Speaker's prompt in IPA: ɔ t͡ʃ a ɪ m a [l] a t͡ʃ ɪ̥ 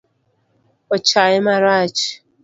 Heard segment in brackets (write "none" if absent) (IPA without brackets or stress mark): ɾ